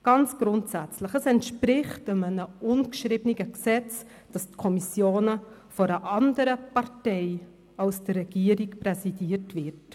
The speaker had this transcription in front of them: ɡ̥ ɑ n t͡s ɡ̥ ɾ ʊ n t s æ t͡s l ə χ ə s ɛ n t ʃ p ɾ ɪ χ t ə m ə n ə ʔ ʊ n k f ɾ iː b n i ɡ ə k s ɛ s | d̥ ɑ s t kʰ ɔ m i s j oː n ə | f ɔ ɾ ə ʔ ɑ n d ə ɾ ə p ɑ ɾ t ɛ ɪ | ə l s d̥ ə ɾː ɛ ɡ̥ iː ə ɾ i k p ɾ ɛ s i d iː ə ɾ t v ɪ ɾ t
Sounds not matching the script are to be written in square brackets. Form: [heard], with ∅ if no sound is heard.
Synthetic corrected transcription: ɡ̥ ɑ n t͡s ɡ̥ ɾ ʊ n t s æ t͡s l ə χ ə s ɛ n t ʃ p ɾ ɪ χ t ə m ə n ə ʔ ʊ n k [ʃ] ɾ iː b n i ɡ ə k s ɛ [t͡s] | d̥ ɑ s t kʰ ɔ m i s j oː n ə | f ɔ ɾ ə ʔ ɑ n d ə ɾ ə p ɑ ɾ t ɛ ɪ | [ɑ] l s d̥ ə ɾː ɛ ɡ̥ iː ə ɾ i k p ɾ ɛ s i d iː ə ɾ t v ɪ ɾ t

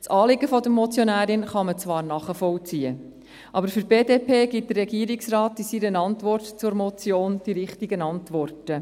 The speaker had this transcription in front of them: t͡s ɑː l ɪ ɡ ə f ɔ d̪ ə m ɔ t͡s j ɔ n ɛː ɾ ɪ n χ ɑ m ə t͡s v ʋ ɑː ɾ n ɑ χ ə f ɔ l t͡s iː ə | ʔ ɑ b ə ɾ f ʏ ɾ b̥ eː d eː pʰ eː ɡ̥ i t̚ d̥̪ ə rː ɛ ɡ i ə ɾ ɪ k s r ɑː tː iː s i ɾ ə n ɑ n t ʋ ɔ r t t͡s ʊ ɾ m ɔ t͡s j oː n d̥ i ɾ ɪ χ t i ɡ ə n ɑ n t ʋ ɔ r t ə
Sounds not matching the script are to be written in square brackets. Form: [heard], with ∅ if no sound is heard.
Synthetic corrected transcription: t͡s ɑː l ɪ ɡ ə f ɔ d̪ ə m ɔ t͡s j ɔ n [æː] ɾ ɪ n χ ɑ m ə t͡s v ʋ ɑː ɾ n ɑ χ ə f ɔ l t͡s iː ə | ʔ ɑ b ə ɾ f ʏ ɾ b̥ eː d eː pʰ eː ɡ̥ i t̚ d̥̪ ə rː ɛ ɡ i ə ɾ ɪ k s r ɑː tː [i] s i ɾ ə n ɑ n t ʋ ɔ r t t͡s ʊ ɾ m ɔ t͡s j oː n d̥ i ɾ ɪ χ t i ɡ ə n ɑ n t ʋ ɔ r t ə

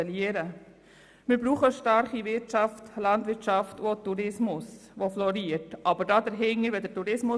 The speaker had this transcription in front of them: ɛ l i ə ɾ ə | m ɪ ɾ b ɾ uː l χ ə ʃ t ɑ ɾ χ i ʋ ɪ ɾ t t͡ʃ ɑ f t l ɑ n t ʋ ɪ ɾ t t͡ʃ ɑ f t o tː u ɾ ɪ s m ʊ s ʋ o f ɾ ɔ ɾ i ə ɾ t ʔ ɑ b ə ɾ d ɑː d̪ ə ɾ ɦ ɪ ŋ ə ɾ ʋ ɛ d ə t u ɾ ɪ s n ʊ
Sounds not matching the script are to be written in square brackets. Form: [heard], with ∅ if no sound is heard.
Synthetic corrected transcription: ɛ l i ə ɾ ə | m ɪ ɾ b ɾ uː [∅] χ ə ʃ t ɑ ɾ χ i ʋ ɪ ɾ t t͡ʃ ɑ f t l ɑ n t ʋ ɪ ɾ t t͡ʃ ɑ f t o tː u ɾ ɪ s m ʊ s ʋ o f [l] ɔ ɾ i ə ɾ t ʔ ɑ b ə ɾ d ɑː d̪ ə ɾ ɦ ɪ ŋ ə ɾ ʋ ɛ d ə t u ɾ ɪ s [m] ʊ

